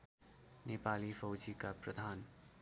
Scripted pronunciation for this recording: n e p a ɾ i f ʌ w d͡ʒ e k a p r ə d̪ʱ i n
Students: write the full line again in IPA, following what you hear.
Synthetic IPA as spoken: n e p a l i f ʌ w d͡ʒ i k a p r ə d̪ʱ a n